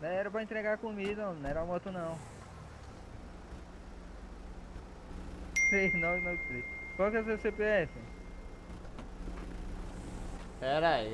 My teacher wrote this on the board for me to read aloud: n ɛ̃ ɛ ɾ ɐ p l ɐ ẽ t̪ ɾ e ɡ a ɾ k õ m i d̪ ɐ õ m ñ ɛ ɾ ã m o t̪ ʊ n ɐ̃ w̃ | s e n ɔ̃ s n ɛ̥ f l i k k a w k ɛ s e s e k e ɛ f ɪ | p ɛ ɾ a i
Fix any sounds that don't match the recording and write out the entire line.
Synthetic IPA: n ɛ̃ ɛ ɾ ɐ p ɾ ɐ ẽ t̪ ɾ e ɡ a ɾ k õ m i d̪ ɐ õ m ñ ɛ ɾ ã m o t̪ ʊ n ɐ̃ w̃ | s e n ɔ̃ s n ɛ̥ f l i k k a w k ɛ s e s e p e ɛ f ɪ | p ɛ ɾ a i